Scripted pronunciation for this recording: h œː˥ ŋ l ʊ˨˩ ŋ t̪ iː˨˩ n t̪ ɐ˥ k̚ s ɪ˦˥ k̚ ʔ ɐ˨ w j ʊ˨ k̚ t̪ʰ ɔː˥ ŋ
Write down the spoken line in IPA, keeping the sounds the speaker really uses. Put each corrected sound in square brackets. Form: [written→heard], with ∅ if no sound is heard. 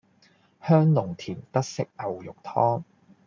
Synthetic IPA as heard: h œː˥ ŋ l ʊ˨˩ ŋ [t̪→t̪ʰ] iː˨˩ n t̪ ɐ˥ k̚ s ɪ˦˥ k̚ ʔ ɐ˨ w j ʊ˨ k̚ t̪ʰ ɔː˥ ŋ